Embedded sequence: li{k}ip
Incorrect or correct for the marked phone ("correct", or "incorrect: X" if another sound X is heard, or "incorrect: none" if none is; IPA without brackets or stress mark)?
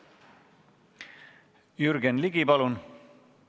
incorrect: ɡ